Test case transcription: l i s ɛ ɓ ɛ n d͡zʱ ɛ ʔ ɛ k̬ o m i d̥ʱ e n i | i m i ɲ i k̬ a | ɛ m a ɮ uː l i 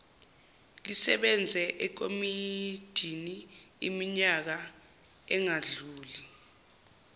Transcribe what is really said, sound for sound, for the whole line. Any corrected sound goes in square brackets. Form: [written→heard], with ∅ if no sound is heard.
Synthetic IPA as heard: l i s ɛ ɓ ɛ n d͡zʱ ɛ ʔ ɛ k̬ o m i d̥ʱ [e→i] n i | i m i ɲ [i→a] k̬ a | ɛ [m→ŋ] a ɮ uː l i